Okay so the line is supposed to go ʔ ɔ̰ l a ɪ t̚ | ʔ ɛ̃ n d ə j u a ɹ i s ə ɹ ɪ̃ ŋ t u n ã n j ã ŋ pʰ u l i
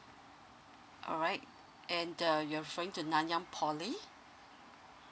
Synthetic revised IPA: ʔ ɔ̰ ɹ a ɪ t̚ | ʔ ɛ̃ n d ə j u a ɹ i f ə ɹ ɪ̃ ŋ t u n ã n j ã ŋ pʰ ɔ l i